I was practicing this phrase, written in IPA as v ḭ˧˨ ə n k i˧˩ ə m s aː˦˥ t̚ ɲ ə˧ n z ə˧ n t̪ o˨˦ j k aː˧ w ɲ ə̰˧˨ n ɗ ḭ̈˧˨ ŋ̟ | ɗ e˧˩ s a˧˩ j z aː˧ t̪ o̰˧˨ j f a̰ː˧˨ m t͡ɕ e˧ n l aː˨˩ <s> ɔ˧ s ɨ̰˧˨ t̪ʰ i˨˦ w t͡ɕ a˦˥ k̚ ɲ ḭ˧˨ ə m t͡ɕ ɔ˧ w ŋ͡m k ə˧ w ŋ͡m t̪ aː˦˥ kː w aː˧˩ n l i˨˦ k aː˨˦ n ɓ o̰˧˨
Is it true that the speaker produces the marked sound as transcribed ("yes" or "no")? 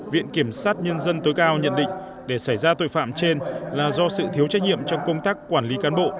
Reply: no